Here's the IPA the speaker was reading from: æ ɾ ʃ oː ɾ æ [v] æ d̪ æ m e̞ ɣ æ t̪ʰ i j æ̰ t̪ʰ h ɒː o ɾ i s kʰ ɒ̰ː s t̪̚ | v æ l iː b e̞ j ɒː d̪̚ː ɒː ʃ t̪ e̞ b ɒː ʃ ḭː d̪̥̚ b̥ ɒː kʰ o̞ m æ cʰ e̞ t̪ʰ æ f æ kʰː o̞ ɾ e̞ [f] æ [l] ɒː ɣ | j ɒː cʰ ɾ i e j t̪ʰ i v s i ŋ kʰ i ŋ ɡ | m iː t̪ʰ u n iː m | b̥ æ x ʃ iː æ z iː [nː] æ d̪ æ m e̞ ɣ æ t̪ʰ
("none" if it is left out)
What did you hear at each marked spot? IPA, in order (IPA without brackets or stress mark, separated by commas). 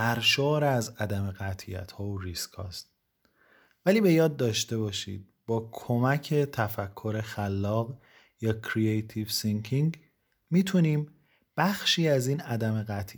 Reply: z, x, lː, n